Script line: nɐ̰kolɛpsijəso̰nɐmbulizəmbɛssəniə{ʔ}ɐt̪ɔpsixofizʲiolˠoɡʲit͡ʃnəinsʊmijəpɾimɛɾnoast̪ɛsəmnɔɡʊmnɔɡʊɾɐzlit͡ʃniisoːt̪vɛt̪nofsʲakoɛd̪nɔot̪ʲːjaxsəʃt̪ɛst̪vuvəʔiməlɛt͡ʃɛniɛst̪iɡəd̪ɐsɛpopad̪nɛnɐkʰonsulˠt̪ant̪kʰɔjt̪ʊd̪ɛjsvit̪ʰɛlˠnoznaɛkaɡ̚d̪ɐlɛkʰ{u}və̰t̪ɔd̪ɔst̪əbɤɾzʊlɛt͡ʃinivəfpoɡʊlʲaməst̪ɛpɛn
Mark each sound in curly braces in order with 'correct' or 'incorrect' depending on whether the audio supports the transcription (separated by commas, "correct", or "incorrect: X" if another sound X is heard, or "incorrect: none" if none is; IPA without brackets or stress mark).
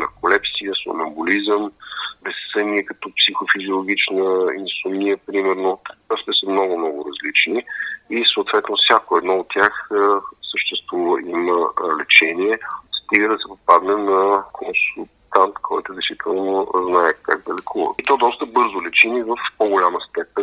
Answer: incorrect: k, correct